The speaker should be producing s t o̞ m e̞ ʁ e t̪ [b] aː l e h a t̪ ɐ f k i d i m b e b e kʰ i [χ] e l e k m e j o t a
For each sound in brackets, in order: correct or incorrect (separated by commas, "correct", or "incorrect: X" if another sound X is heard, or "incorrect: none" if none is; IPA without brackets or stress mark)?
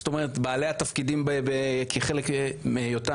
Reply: correct, correct